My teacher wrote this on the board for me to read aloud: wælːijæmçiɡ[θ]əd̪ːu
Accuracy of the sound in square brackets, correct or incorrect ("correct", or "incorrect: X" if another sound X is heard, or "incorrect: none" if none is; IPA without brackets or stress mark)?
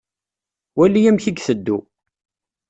correct